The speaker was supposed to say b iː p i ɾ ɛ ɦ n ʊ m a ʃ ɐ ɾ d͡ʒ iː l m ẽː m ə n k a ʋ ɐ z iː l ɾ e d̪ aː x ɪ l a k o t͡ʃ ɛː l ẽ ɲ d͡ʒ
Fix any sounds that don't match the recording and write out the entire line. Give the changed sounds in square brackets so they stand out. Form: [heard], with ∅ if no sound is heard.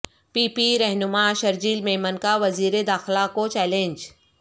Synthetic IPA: [p] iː p i ɾ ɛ ɦ n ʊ m a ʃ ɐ ɾ d͡ʒ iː l m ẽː m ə n k a ʋ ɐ z iː [∅] ɾ e d̪ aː x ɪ l a k o t͡ʃ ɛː l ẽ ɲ d͡ʒ